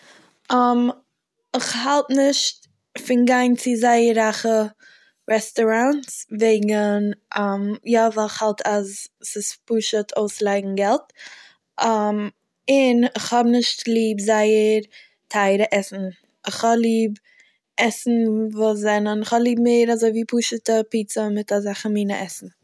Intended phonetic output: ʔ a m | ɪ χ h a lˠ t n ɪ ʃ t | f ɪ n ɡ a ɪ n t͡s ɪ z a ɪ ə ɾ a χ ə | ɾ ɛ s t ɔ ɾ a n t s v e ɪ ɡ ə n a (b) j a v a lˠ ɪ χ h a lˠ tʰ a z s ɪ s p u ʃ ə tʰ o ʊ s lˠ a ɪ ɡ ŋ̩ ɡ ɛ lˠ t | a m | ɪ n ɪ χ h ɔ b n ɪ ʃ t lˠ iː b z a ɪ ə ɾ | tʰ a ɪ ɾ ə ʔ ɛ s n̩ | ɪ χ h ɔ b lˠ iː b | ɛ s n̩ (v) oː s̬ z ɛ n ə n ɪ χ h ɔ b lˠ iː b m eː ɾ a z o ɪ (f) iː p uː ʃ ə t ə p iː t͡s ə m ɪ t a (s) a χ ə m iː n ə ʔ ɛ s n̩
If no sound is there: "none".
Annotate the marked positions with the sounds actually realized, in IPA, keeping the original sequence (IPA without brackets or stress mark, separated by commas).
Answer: m, v, v, z